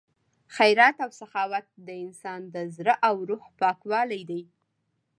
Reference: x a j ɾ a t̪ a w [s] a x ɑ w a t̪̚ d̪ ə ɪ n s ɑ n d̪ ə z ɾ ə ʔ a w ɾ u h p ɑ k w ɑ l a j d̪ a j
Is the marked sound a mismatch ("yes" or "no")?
no